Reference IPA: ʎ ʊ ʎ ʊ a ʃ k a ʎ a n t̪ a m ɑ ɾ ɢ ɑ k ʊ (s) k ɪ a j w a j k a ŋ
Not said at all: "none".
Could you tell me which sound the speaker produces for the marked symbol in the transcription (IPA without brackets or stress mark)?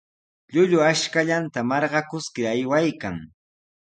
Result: s